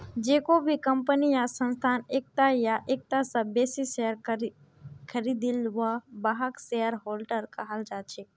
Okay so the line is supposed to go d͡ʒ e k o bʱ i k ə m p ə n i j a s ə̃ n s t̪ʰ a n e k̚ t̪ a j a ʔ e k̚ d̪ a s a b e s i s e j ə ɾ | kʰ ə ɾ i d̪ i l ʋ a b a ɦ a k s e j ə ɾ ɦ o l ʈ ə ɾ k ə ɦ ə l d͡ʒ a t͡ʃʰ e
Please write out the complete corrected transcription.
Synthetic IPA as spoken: d͡ʒ e k o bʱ i k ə m p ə n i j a s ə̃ n s t̪ʰ a n e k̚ t̪ a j a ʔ e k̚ t̪ a s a b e s i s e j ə ɾ | kʰ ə ɾ i d̪ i l ʋ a b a ɦ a k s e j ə ɾ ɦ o l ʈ ə ɾ k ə ɦ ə l d͡ʒ a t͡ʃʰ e